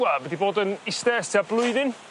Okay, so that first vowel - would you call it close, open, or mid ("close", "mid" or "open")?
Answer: open